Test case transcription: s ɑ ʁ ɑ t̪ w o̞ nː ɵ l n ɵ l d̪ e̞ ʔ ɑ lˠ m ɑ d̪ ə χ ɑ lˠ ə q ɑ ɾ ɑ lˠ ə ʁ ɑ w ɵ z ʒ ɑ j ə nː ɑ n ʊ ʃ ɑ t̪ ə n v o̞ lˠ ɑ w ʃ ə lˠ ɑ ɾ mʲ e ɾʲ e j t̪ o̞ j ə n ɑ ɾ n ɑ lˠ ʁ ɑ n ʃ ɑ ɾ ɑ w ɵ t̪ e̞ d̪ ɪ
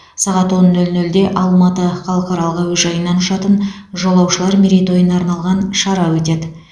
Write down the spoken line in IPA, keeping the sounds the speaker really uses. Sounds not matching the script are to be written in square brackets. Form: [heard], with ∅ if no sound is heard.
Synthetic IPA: s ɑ ʁ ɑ t̪ w o̞ nː ɵ l n ɵ l d̪ e̞ ʔ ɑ lˠ m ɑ [t̪] ə χ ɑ lˠ ə q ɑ ɾ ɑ lˠ ə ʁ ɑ w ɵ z ʒ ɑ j ə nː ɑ n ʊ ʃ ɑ t̪ ə n [ʒ] o̞ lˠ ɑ w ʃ ə lˠ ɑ ɾ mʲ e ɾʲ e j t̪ o̞ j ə n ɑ ɾ n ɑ lˠ ʁ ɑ n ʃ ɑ ɾ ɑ w ɵ t̪ e̞ d̪ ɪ